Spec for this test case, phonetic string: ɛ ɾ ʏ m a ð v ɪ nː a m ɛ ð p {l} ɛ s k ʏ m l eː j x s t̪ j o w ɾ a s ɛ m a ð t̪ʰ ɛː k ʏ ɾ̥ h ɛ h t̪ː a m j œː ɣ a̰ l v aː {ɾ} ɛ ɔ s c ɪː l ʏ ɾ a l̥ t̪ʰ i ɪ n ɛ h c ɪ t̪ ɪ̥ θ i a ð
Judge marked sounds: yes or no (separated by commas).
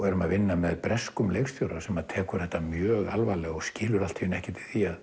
no, no